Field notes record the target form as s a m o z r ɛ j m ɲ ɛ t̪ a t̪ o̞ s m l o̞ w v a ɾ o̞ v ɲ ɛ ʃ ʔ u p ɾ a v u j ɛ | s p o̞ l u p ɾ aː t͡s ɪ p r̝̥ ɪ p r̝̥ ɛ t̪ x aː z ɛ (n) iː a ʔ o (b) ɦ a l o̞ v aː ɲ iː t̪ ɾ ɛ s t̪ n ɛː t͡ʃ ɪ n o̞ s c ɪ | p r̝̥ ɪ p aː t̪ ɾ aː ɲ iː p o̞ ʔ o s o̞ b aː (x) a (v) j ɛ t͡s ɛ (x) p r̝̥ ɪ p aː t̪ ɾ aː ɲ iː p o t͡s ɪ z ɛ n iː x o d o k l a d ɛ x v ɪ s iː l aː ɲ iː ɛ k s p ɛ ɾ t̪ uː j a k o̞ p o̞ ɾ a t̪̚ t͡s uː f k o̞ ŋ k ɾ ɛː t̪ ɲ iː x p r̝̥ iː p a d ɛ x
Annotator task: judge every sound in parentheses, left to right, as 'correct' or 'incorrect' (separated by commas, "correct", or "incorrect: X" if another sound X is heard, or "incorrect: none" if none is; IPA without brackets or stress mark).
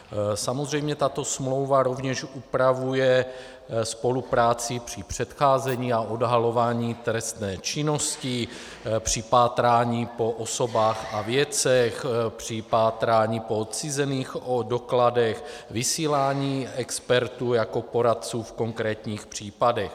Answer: incorrect: ɲ, incorrect: d, correct, correct, correct